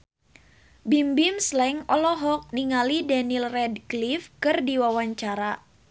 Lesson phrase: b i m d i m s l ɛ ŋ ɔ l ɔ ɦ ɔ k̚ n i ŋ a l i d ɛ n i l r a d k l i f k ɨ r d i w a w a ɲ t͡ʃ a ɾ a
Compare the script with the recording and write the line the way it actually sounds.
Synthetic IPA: b i m b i m s l ɛ ŋ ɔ l ɔ ɦ ɔ k̚ n i ŋ a l i d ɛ n i l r ɛ d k l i f k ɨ r d i w a w a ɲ t͡ʃ a ɾ a